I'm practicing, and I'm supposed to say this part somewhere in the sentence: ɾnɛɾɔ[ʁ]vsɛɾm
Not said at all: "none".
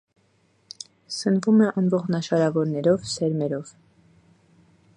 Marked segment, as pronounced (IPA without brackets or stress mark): none